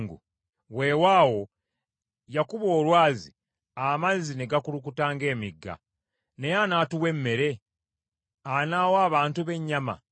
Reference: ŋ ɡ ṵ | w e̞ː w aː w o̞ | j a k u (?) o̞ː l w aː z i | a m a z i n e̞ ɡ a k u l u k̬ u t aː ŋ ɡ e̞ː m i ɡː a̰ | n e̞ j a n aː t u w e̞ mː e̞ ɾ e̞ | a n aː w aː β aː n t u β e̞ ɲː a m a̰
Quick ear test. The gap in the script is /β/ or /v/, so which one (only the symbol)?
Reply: β